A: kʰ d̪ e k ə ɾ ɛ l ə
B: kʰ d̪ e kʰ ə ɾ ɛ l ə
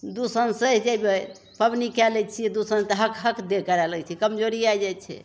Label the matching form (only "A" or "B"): A